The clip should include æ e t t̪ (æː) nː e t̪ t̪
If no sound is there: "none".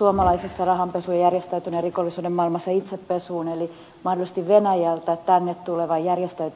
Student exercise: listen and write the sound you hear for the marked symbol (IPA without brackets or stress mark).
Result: æ